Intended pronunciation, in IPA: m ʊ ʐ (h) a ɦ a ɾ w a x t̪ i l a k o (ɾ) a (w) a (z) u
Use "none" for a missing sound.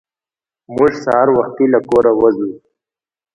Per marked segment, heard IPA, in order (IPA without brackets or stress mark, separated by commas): s, ɾ, w, z